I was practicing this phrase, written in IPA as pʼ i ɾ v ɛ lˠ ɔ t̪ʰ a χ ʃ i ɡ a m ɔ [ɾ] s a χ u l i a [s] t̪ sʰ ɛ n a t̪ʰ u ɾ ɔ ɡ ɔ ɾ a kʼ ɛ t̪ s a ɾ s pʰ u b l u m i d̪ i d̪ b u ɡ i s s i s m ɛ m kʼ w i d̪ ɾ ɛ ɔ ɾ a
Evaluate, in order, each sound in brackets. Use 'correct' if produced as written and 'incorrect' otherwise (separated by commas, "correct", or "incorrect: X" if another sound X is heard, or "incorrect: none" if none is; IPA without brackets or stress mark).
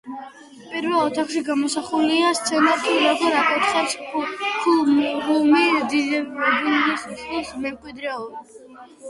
incorrect: none, correct